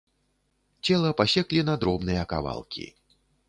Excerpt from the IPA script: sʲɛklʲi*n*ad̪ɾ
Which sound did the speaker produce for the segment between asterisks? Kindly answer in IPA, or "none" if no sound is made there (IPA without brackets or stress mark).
n